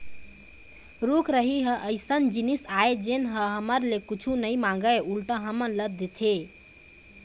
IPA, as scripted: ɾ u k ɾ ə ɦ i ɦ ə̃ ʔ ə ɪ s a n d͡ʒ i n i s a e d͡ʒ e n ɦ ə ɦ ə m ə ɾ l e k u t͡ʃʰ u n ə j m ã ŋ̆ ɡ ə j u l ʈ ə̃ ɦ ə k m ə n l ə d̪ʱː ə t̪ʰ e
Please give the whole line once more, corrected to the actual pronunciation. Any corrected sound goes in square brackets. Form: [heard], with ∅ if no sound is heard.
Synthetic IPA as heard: ɾ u k ɾ ə ɦ i ɦ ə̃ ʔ ə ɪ s [ə] n d͡ʒ i n i s a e d͡ʒ e n ɦ ə ɦ ə m ə ɾ l e k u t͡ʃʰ u n ə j m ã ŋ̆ ɡ ə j u l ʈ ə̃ ɦ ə [∅] m ə n l ə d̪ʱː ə t̪ʰ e